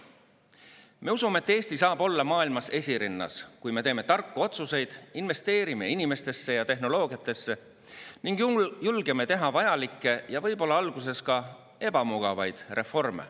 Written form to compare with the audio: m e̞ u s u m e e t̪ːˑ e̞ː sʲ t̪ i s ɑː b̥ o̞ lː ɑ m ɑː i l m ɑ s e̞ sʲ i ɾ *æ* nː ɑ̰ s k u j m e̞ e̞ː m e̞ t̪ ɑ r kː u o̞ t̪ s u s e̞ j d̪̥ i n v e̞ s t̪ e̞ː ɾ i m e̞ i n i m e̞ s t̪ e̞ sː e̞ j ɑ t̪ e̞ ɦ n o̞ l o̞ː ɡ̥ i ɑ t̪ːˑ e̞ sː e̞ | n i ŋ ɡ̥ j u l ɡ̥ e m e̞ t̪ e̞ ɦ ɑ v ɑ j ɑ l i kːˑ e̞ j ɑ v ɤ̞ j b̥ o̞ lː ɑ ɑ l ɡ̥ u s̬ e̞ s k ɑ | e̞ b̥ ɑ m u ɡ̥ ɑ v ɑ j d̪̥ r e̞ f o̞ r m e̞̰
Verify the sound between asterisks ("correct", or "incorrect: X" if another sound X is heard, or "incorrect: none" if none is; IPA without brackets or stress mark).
incorrect: i